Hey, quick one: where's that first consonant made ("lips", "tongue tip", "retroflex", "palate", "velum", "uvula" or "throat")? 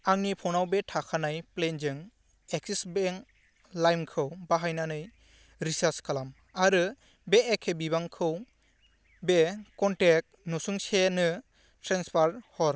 velum